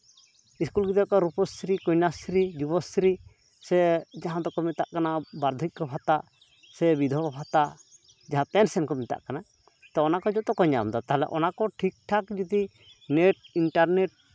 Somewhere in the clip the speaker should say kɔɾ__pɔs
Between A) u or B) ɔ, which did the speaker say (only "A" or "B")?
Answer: A